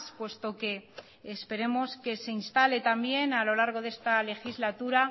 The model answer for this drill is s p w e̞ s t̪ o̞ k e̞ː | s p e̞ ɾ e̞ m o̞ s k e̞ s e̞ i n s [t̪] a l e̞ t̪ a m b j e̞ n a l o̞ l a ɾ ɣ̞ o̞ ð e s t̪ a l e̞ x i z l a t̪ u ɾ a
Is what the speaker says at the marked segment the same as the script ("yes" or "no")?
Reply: yes